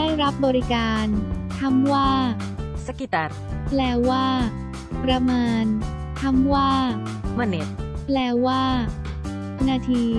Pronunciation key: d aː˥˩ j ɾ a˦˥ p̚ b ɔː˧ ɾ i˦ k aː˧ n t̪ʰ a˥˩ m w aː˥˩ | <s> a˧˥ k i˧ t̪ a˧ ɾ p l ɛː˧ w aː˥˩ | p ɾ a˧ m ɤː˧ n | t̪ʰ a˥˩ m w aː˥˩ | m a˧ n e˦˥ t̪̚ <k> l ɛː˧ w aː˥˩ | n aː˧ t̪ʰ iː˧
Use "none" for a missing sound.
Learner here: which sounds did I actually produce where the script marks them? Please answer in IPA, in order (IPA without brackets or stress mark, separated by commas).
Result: s, p